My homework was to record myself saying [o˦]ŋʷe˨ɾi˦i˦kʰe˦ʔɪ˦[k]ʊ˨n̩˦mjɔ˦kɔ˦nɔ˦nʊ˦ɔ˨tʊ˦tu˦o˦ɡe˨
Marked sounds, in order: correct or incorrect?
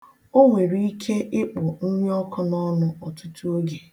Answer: correct, incorrect: k͡p

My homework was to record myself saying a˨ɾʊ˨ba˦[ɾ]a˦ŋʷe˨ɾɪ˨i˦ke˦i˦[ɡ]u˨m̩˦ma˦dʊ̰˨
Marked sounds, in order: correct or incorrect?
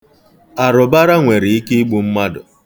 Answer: correct, incorrect: ɡ͡b

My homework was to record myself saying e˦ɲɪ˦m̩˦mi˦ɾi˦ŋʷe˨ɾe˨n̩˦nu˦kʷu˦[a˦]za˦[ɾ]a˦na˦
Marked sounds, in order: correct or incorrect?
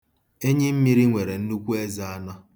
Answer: incorrect: e˦, incorrect: none

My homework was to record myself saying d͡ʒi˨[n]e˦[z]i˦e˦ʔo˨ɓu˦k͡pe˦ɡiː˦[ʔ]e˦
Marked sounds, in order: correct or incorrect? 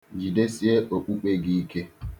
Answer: incorrect: d, incorrect: s, incorrect: k

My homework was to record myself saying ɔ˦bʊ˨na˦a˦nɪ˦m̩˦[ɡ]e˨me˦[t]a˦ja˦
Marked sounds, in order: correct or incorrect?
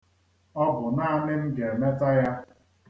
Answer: correct, correct

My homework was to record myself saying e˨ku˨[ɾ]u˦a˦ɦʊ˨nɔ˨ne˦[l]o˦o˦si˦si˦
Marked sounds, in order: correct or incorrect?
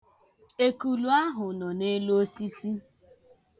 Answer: incorrect: l, correct

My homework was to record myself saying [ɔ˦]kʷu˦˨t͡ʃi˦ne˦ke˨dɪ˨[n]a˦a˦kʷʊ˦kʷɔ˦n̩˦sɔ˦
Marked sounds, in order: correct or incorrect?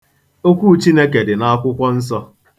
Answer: incorrect: o˦, correct

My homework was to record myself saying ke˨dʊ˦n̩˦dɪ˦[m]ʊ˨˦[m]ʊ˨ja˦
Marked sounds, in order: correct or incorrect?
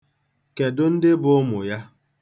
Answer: incorrect: b, correct

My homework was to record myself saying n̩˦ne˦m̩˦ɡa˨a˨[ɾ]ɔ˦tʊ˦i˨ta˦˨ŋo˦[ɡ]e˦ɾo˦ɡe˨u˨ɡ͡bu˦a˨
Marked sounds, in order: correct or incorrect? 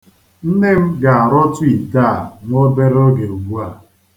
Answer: correct, incorrect: b

